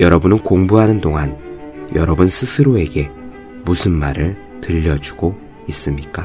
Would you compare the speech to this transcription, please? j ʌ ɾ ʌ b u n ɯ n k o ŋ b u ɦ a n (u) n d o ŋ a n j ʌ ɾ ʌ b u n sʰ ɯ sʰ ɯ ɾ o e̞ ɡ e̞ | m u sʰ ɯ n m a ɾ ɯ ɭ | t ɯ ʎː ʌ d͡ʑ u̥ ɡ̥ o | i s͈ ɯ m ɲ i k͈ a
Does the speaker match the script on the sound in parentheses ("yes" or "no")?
no